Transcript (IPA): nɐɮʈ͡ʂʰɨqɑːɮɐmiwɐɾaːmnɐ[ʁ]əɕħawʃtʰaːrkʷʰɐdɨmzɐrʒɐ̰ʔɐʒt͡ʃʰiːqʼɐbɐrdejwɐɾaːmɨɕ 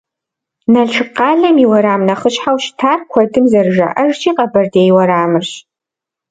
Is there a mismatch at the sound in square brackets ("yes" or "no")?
yes